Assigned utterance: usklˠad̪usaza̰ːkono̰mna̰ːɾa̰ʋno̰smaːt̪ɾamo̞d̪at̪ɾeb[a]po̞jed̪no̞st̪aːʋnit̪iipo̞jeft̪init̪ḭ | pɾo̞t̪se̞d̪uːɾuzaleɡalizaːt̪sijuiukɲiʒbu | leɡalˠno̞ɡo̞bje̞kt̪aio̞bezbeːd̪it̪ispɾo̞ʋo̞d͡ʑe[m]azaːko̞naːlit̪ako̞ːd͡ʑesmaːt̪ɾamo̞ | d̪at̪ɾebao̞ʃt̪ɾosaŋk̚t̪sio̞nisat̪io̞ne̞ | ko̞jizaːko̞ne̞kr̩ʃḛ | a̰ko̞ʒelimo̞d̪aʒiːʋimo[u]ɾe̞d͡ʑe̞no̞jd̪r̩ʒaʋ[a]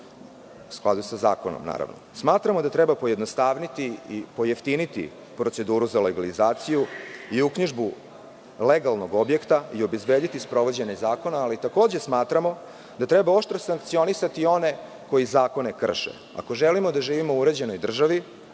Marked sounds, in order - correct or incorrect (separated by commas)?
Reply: correct, incorrect, correct, incorrect